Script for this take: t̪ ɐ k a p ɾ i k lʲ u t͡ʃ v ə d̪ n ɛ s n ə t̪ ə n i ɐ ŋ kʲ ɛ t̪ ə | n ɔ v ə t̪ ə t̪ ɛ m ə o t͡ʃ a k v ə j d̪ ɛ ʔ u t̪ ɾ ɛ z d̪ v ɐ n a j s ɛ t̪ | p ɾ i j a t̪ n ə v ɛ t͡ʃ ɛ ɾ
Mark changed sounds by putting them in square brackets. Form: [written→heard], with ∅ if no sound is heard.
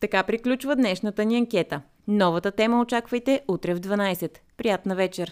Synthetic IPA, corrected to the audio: t̪ ɐ k a p ɾ i k lʲ u t͡ʃ v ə d̪ n ɛ [s→ʃ] n ə t̪ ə n i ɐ ŋ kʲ ɛ t̪ ə | n ɔ v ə t̪ ə t̪ ɛ m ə o t͡ʃ a k v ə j [d̪→t̪] ɛ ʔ u t̪ ɾ ɛ [z→v] d̪ v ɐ n a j s ɛ t̪ | p ɾ i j a t̪ n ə v ɛ t͡ʃ ɛ ɾ